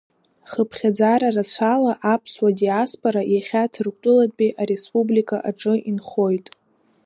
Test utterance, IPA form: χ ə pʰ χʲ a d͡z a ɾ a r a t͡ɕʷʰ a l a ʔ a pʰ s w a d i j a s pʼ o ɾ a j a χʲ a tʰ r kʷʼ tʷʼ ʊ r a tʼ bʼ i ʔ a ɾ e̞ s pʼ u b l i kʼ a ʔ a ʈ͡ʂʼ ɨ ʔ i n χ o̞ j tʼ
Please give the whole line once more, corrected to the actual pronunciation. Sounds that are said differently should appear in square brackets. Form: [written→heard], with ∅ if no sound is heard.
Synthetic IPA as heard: χ ə pʰ χʲ a d͡z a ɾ a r a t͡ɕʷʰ a l a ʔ a pʰ s w a d i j a s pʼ o ɾ a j a χʲ a tʰ r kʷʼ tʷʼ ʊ [r→l] a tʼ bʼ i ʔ a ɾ e̞ s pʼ u b l i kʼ a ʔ a ʈ͡ʂʼ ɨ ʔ i n χ o̞ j tʼ